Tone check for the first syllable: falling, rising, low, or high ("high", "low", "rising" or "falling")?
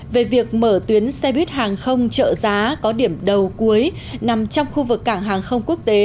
low